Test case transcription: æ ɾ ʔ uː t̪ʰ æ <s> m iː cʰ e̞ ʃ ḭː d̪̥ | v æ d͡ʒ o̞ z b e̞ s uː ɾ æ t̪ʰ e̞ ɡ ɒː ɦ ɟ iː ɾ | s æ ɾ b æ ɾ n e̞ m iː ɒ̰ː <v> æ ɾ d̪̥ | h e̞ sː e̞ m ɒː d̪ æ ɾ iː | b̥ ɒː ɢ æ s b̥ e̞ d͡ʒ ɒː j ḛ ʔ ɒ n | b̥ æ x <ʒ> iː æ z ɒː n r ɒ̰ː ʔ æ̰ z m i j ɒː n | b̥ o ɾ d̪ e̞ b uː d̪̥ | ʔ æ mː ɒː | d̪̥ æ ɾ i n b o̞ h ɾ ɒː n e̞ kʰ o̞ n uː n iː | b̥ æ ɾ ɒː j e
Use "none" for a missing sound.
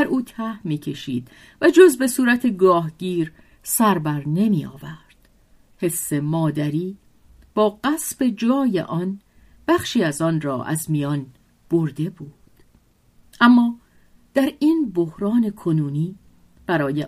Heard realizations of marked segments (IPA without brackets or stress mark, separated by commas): h, v, ʃ